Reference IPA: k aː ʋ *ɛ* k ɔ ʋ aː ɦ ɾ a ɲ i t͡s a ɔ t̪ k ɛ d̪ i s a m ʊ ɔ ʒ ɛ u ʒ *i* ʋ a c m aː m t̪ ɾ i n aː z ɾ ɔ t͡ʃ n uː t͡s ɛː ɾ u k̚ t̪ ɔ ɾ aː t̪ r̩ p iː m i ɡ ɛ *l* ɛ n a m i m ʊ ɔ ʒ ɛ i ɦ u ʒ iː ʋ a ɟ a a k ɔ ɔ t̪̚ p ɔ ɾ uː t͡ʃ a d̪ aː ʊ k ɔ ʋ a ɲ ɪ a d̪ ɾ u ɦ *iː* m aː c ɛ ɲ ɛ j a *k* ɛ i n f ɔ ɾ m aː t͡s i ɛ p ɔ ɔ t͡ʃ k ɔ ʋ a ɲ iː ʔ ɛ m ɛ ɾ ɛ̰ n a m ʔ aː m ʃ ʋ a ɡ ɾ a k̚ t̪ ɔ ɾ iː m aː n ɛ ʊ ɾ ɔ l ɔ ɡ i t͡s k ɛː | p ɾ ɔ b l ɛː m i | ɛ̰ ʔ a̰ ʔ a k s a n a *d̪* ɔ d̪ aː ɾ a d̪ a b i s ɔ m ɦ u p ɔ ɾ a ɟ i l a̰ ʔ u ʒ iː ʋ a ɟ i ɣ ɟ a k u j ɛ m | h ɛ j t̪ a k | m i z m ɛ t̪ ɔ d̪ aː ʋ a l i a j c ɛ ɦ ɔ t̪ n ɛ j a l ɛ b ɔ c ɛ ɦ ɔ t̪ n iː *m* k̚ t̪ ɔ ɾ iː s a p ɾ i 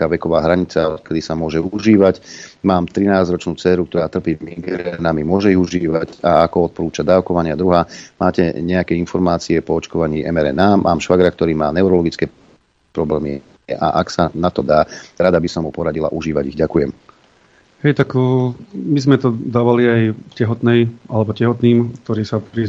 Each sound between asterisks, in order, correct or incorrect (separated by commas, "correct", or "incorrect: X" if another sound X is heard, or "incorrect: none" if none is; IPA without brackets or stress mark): correct, incorrect: iː, incorrect: ɾ, incorrect: aː, correct, incorrect: t̪, correct